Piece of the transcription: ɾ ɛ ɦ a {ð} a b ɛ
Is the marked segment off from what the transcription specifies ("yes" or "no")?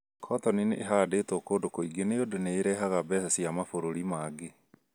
yes